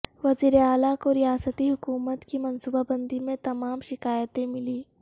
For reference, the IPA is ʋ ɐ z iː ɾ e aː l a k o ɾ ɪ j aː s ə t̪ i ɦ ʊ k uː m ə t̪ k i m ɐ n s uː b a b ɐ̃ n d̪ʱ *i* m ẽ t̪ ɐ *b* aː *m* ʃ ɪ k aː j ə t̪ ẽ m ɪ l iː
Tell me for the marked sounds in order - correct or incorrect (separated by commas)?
correct, incorrect, correct